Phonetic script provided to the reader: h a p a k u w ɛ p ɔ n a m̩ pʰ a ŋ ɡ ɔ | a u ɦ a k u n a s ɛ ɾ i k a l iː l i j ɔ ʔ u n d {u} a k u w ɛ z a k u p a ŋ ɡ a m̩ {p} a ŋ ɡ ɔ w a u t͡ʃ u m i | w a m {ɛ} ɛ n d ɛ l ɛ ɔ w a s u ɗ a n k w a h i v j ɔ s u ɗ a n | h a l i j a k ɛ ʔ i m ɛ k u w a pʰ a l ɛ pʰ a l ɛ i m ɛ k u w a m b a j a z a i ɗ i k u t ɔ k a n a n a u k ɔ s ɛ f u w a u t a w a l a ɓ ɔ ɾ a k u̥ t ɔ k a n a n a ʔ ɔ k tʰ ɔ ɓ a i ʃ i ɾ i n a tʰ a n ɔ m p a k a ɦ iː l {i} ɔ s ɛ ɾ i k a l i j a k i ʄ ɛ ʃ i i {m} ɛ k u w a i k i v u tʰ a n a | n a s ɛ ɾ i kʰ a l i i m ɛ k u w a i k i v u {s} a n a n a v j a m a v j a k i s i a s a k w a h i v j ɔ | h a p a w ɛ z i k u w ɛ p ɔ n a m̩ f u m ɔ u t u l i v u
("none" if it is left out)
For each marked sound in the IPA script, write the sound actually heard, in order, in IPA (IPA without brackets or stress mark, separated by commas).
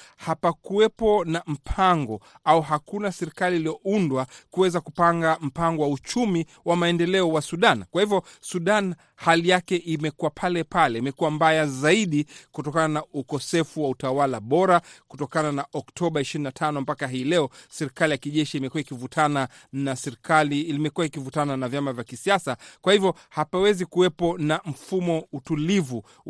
w, p, a, ɛ, m, t